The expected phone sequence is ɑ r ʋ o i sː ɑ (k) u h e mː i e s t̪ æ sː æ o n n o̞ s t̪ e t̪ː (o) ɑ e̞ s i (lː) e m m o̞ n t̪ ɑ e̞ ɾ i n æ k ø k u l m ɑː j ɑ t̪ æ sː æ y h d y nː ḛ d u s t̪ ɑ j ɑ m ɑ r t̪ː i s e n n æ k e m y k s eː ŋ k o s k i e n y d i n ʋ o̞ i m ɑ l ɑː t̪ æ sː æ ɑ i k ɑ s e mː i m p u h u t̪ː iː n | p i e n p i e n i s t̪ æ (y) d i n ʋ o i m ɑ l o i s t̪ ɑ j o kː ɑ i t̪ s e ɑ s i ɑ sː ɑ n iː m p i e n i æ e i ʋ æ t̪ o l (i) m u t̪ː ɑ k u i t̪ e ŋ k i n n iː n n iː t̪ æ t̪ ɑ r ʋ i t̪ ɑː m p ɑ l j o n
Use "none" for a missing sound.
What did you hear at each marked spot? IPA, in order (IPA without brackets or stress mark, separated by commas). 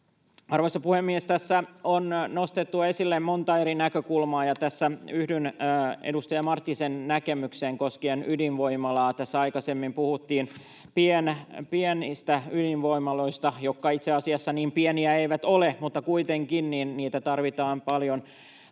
p, u, lː, y, e